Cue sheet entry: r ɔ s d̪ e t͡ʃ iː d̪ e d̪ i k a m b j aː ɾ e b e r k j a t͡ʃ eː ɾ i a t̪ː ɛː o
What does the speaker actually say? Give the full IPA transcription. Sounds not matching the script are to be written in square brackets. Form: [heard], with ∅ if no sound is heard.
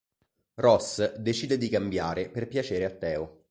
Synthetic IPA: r ɔ s d̪ e t͡ʃ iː d̪ e d̪ i k a m b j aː ɾ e [p] e r [p] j a t͡ʃ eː ɾ [e] a t̪ː ɛː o